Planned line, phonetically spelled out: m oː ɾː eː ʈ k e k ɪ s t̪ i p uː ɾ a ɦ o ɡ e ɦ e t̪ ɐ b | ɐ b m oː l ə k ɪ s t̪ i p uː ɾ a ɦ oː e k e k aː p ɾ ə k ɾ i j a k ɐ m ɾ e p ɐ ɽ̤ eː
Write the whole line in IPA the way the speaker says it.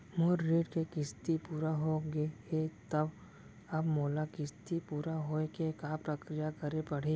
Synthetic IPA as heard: m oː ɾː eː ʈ k e k ɪ s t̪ i p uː ɾ a ɦ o ɡ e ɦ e t̪ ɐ b | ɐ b m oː l a k ɪ s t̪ i p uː ɾ a ɦ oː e k e k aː p ɾ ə k ɾ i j a k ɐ ɾ e p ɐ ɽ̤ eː